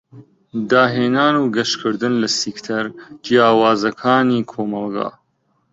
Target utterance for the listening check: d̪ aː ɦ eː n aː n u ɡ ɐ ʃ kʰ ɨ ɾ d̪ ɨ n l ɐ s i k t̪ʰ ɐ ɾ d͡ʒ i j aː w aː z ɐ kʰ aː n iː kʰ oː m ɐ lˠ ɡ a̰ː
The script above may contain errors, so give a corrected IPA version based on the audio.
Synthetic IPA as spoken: d̪ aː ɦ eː n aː n u ɡ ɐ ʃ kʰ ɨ ɾ d̪ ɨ n l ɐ s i k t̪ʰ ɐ ɾ d͡ʒ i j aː w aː z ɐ kʰ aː n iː kʰ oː m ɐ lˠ ɡ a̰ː